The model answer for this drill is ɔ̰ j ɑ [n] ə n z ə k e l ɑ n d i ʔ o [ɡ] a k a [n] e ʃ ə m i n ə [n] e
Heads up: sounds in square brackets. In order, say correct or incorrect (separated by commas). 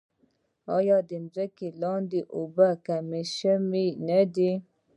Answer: incorrect, incorrect, incorrect, incorrect